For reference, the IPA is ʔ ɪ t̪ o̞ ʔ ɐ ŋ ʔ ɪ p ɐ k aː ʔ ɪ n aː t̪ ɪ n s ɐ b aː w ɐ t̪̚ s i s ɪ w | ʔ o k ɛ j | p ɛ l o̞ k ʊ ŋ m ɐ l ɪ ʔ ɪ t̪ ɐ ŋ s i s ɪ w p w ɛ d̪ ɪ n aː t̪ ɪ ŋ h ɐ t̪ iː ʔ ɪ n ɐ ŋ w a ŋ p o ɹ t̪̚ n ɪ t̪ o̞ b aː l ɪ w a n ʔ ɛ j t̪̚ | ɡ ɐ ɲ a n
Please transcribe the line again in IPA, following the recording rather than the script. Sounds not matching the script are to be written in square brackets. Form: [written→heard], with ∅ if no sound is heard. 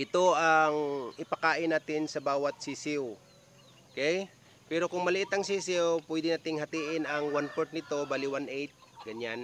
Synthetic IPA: ʔ ɪ t̪ o̞ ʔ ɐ ŋ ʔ ɪ p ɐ k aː ʔ ɪ n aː t̪ ɪ n s ɐ b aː w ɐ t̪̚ s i s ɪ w | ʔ o k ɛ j | p ɛ [l→ɾ] o̞ k ʊ ŋ m ɐ l ɪ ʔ ɪ t̪ ɐ ŋ s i s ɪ w p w ɛ d̪ ɪ n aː t̪ ɪ ŋ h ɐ t̪ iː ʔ ɪ n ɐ ŋ w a [ŋ→n] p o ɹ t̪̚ n ɪ t̪ o̞ b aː l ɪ w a n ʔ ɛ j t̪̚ | ɡ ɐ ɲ a n